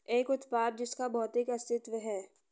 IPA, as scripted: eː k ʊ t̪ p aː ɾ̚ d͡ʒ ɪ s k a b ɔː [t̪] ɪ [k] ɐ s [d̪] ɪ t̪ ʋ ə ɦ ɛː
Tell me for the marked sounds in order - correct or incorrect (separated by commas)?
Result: correct, correct, incorrect